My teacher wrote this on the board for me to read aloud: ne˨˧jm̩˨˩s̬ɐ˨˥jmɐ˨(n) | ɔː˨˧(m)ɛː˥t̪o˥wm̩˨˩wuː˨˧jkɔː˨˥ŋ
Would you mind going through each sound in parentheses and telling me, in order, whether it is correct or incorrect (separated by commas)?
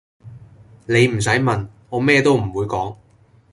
correct, correct